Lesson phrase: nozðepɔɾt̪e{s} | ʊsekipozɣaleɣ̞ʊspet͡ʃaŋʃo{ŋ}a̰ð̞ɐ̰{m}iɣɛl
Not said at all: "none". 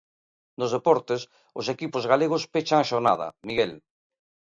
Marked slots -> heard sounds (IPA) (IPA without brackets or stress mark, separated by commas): s, n, m